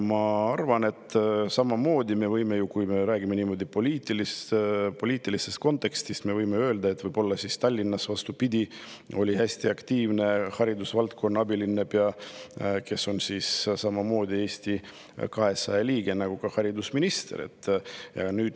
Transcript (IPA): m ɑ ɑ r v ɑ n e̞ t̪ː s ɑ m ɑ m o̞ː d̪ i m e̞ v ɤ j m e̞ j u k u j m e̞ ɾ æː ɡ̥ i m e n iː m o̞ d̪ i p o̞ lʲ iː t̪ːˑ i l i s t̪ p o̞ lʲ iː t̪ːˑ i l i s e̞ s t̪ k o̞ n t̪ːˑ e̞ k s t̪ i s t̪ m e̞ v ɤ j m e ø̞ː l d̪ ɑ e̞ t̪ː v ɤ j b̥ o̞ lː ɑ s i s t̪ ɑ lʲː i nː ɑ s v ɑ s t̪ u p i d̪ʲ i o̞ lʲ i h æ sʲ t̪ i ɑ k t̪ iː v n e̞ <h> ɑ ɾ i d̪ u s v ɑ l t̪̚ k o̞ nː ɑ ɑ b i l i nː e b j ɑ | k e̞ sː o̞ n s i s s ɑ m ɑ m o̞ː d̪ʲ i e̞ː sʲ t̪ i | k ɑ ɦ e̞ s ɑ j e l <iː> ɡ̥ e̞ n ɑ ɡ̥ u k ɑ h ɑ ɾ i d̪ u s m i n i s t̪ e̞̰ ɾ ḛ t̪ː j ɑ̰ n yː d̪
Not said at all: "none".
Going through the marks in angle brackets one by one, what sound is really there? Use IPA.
h, iː

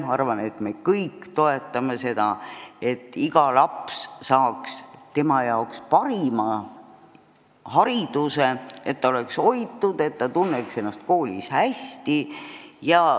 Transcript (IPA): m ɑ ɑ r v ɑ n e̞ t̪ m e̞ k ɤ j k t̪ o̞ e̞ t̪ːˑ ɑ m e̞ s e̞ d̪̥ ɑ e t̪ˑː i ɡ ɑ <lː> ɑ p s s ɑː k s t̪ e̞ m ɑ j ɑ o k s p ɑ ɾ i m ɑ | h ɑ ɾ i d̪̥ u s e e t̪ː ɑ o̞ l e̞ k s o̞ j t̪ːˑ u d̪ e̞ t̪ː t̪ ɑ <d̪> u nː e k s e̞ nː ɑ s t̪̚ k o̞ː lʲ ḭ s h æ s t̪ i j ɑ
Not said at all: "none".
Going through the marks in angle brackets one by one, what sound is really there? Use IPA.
l, t̪

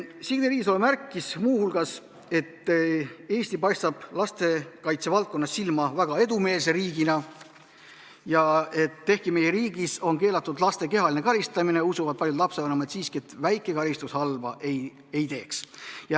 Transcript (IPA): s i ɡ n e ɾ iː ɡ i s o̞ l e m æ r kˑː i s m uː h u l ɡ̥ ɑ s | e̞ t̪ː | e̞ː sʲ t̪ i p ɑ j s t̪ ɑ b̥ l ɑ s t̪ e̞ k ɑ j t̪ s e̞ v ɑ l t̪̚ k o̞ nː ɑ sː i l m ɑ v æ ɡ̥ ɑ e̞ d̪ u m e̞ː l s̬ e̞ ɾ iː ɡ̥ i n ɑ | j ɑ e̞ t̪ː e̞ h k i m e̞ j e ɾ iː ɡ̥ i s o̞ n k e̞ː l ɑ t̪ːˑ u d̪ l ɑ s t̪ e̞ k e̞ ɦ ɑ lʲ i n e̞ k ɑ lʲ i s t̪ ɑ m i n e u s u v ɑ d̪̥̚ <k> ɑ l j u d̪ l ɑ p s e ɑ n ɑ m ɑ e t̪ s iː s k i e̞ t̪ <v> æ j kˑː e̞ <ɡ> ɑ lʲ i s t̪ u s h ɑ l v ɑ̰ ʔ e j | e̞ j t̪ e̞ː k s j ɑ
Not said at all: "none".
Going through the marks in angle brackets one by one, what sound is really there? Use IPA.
p, v, k

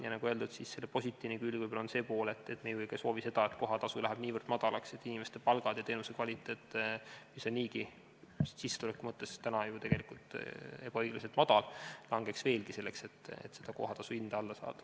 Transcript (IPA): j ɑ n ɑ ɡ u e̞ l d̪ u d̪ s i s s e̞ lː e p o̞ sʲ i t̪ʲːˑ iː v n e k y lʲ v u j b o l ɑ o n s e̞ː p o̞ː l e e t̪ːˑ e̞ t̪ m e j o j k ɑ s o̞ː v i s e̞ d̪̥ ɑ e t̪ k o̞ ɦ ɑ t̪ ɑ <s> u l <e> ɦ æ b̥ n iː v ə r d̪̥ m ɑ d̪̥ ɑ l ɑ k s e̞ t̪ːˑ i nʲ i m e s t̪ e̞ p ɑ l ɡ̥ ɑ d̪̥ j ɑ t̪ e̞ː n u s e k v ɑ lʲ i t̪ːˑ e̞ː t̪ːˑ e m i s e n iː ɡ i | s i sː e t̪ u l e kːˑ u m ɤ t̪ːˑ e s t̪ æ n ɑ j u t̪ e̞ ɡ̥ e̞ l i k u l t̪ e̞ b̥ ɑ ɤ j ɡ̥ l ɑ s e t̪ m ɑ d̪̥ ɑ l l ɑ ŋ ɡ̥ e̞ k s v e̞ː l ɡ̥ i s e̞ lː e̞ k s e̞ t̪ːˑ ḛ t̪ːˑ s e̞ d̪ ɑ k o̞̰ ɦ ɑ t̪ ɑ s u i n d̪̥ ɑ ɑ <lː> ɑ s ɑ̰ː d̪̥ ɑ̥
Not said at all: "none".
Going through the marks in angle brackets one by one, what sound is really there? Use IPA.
s, æ, lː

